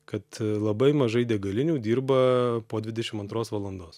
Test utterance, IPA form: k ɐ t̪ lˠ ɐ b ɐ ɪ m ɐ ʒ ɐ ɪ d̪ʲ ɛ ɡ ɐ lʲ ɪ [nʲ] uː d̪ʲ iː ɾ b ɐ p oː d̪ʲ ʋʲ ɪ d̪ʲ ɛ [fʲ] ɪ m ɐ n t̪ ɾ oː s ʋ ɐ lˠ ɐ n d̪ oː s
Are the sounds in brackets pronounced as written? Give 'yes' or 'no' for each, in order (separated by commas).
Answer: yes, no